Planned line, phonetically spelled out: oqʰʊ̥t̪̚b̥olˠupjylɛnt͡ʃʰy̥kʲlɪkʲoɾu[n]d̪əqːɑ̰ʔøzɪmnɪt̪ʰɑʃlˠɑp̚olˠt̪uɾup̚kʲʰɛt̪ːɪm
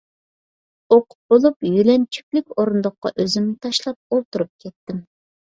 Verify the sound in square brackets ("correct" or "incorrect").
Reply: correct